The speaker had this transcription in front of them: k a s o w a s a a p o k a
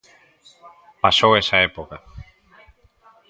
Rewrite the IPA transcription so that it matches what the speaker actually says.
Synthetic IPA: p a s o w e s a e p o k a